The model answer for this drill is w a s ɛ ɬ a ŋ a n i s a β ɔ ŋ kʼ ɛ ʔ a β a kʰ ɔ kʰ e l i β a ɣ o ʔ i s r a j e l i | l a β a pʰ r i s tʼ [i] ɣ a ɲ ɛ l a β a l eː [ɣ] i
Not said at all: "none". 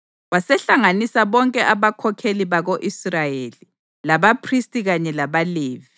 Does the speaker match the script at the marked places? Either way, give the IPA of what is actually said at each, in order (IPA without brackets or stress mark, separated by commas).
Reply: i, v